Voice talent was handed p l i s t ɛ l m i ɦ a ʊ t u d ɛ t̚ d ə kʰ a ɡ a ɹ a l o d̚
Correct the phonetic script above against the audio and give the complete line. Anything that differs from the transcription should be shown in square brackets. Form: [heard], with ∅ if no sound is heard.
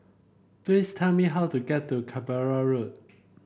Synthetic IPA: p l i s [tʰ] ɛ l m i ɦ a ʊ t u [ɡ] ɛ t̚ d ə kʰ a [b] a ɹ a [ɹ] o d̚